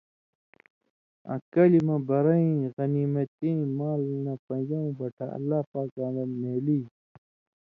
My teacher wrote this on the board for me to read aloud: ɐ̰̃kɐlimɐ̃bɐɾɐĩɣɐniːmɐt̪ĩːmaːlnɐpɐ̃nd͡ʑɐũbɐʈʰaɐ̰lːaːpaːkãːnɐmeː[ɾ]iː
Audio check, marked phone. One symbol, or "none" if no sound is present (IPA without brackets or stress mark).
l